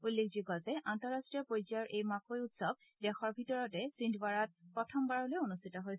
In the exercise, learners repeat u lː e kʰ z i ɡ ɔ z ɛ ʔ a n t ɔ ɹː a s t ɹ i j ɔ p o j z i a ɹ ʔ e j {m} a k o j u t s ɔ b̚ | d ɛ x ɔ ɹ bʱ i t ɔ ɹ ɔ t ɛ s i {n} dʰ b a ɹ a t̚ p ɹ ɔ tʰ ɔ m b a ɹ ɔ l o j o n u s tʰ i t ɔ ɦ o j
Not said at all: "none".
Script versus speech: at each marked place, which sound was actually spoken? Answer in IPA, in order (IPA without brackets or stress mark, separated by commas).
m, n